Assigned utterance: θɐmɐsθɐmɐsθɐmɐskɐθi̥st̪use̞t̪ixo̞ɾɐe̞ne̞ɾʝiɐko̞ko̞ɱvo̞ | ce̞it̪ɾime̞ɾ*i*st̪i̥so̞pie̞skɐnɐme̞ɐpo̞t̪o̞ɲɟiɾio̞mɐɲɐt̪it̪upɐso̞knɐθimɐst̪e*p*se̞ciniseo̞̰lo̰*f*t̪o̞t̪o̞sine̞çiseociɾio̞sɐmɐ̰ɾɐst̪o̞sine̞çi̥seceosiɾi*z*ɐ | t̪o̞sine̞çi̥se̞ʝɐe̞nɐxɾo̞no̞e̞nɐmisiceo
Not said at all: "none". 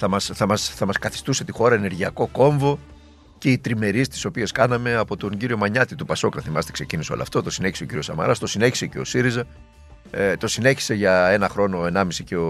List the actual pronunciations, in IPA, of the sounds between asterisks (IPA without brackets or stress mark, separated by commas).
i, k, f, z